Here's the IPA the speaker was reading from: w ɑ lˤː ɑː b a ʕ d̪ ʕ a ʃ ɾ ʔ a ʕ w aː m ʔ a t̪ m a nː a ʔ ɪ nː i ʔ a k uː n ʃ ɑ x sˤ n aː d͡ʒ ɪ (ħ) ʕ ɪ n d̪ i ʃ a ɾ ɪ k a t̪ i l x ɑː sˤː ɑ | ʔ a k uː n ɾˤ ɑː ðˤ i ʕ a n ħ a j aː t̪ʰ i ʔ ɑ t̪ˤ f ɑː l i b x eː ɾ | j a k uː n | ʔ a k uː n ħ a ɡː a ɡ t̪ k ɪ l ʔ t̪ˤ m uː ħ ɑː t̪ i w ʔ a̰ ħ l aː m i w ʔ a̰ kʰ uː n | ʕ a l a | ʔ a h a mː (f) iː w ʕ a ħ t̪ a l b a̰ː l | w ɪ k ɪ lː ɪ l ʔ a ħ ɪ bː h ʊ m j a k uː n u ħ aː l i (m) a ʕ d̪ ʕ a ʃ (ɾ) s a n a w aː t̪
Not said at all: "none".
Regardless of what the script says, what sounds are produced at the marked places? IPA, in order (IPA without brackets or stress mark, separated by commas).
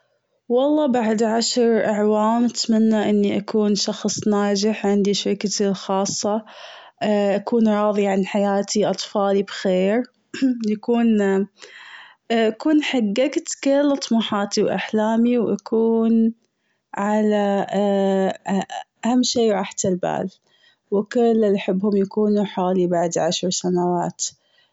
ħ, ʃ, b, ɾ